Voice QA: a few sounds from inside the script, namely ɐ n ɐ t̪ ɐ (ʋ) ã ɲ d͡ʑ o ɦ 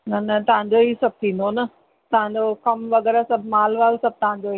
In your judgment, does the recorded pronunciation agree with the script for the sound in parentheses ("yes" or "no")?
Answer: yes